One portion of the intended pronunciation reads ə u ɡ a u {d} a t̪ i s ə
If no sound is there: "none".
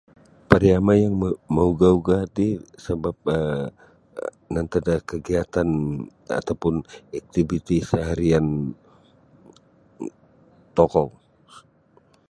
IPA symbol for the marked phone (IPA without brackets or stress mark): ɡ